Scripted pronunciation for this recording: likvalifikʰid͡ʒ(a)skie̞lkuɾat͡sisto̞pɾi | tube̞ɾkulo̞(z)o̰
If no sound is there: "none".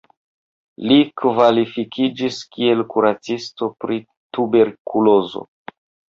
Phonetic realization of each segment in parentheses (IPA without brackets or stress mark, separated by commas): i, z